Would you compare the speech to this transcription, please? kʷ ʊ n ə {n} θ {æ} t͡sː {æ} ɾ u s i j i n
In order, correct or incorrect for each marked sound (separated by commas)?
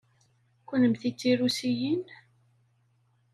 incorrect, incorrect, incorrect